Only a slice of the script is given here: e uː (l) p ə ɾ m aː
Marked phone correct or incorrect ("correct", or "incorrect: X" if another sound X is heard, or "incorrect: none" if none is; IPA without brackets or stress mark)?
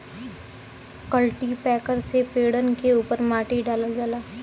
incorrect: none